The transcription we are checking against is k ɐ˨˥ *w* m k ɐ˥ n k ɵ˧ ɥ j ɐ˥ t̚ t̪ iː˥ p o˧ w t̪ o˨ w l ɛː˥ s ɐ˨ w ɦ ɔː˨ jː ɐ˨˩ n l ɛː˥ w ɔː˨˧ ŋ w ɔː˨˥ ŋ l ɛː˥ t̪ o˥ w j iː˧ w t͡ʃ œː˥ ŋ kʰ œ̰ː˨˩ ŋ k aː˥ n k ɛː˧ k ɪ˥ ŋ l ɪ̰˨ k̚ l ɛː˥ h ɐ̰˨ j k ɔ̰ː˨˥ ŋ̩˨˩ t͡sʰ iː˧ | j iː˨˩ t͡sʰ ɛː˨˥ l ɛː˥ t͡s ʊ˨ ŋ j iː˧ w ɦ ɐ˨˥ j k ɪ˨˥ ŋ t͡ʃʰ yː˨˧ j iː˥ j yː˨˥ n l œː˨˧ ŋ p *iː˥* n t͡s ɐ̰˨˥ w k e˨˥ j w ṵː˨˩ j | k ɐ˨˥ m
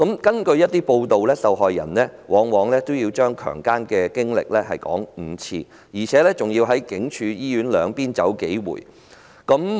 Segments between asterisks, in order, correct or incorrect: incorrect: none, correct

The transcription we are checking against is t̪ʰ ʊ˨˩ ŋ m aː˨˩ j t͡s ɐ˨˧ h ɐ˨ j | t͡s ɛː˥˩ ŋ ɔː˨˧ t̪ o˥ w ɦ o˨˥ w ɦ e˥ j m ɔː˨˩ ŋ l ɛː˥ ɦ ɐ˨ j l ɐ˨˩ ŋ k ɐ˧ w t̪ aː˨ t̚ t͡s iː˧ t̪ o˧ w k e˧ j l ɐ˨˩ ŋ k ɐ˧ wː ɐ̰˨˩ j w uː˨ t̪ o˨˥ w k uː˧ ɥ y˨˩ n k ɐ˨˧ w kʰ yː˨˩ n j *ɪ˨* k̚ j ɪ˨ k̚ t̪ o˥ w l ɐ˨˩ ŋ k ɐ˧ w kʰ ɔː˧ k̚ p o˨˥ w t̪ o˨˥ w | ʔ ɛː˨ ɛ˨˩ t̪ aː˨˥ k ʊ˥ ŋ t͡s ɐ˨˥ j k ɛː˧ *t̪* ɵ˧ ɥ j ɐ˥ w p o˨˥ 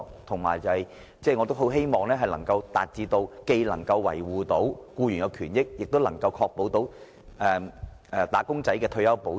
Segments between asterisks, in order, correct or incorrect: incorrect: ɪ˥, incorrect: t̪ʰ

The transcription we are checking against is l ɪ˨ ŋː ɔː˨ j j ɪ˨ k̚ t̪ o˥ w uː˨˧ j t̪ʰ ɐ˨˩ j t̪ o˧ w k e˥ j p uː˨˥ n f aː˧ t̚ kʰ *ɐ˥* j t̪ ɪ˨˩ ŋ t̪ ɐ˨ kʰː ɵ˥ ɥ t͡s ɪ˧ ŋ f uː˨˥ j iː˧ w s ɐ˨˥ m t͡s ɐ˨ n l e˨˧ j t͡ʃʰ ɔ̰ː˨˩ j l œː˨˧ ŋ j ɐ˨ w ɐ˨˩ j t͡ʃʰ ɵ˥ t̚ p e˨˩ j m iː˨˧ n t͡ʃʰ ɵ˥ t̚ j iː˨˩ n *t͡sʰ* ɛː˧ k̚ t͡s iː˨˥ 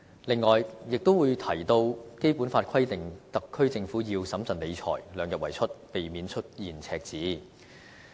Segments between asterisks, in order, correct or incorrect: correct, correct

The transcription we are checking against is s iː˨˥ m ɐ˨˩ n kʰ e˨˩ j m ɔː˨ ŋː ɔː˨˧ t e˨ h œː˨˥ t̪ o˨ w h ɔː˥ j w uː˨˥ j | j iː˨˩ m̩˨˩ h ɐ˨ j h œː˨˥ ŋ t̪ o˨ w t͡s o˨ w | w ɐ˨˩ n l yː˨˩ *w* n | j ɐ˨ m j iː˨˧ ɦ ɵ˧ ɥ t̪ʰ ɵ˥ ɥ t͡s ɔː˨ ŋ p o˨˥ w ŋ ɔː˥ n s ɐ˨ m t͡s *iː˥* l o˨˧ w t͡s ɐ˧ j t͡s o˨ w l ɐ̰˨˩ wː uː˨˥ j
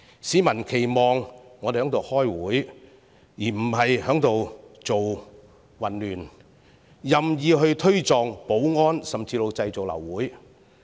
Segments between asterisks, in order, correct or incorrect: incorrect: none, incorrect: iː˧

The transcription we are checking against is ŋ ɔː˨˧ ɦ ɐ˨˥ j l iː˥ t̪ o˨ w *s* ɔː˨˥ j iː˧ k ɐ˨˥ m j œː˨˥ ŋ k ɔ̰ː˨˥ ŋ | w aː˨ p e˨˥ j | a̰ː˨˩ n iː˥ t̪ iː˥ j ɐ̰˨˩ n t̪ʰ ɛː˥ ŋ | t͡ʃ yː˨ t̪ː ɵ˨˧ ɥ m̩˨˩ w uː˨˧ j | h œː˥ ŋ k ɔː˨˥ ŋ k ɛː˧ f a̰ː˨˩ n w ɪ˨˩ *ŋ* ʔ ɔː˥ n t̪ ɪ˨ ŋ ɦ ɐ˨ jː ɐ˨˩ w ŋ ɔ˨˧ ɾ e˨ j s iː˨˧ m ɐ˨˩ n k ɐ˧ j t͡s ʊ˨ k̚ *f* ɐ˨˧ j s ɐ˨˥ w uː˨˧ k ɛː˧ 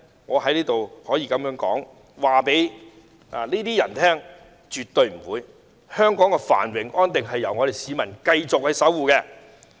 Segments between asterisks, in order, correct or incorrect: incorrect: h, correct, incorrect: h

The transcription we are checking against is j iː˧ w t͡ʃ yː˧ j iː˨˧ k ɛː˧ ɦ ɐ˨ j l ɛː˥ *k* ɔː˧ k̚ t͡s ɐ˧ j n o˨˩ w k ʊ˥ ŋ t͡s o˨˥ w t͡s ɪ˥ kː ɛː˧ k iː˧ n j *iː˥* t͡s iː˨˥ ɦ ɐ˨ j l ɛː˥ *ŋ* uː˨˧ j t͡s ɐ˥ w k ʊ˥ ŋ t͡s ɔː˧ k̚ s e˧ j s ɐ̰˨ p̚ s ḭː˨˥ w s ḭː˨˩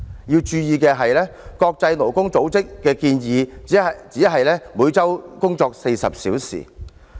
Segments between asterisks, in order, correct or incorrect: correct, incorrect: iː˨˧, incorrect: m

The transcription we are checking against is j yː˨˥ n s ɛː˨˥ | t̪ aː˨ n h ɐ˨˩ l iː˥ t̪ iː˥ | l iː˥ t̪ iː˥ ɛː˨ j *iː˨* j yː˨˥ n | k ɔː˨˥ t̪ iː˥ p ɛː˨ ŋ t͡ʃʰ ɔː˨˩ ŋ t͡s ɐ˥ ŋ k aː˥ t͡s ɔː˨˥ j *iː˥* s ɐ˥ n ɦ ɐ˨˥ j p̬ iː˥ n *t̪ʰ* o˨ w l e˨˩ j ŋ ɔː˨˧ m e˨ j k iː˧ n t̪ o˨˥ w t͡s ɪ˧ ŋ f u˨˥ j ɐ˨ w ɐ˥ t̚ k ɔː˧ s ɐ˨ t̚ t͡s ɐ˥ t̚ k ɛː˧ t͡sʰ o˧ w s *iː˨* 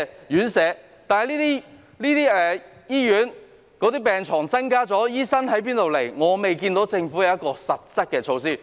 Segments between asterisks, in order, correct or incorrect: incorrect: iː˥, correct, incorrect: t̪, incorrect: iː˥˩

